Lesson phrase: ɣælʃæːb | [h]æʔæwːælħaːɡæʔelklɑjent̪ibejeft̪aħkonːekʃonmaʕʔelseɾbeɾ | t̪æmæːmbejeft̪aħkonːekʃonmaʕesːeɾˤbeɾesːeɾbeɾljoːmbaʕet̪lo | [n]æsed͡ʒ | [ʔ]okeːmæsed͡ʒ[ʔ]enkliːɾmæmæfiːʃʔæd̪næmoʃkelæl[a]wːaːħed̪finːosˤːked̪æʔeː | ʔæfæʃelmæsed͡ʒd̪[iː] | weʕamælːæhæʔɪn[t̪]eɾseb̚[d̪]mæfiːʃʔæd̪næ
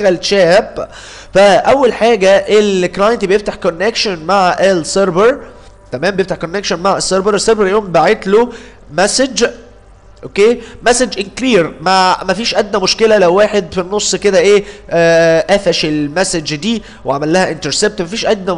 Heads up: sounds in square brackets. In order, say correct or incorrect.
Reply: incorrect, incorrect, correct, correct, incorrect, correct, correct, incorrect

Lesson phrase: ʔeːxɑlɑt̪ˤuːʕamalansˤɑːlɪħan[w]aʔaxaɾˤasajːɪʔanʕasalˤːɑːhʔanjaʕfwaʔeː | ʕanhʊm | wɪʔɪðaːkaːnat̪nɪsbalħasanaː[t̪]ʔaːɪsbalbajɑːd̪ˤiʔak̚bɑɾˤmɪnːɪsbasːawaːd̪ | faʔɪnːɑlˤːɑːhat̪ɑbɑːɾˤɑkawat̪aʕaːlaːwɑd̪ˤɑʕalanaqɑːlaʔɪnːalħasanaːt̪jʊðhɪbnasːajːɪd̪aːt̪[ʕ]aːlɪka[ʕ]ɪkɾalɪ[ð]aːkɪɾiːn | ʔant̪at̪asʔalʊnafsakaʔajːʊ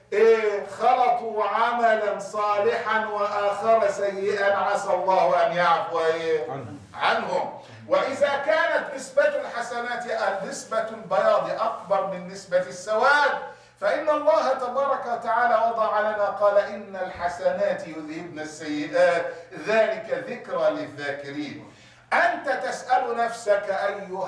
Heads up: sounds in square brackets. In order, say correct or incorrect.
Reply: correct, correct, incorrect, incorrect, incorrect

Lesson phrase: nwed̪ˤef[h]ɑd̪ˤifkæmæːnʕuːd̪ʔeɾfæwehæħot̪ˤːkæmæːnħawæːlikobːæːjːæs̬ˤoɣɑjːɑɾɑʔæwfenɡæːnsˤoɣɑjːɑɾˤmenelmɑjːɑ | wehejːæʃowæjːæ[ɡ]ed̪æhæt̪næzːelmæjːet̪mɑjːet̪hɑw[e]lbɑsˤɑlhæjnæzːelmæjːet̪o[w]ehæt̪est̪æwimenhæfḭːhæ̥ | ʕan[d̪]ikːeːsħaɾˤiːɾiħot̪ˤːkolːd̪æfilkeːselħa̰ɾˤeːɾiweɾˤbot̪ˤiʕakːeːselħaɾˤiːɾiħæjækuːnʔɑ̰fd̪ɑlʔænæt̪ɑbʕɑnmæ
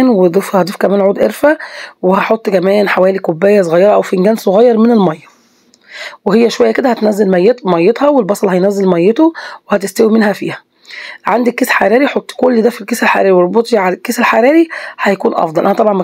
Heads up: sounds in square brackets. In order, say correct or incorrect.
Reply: correct, incorrect, correct, correct, correct

